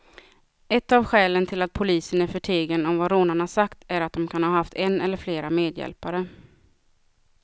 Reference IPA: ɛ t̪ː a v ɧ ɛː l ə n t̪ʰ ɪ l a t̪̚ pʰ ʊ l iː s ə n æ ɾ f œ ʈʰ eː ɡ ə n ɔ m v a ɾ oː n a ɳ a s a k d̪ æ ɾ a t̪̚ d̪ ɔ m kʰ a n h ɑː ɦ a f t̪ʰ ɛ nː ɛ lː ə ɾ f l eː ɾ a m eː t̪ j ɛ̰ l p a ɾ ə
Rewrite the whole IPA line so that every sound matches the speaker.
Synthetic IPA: ɛ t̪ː a v ɧ ɛː l ə n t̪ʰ ɪ l a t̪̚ pʰ ʊ l iː s ə n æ ɾ f œ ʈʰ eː ɡ ə n ɔ m v a ɾ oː n a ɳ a s a k t̪ æ ɾ a t̪̚ d̪ ɔ m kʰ a n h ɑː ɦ a f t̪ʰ ɛ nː ɛ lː ə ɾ f l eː ɾ a m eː d̪ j ɛ̰ l p a ɾ ə